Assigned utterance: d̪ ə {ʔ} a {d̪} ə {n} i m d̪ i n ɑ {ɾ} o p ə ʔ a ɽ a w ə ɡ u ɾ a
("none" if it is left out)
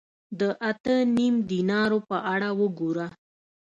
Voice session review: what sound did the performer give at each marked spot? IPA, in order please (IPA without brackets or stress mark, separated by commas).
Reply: ʔ, t̪, n, ɾ